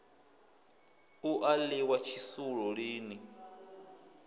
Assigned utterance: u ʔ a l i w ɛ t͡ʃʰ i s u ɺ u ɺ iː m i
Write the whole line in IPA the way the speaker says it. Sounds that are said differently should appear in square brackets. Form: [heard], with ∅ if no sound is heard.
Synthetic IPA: u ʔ a l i w [a] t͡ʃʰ i s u ɺ [ɔ] ɺ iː [n] i